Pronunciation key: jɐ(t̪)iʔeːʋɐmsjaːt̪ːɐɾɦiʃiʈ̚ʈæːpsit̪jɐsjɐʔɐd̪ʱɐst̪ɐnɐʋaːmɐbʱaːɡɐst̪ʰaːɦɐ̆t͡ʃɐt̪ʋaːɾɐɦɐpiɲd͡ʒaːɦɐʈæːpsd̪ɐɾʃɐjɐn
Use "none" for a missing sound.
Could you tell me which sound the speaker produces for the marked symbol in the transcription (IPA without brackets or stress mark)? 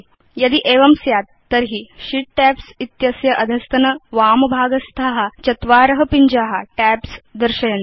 d̪